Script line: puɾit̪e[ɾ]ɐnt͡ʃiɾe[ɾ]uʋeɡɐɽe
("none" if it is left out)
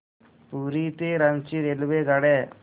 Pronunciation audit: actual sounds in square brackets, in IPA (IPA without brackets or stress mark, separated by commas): ɾ, l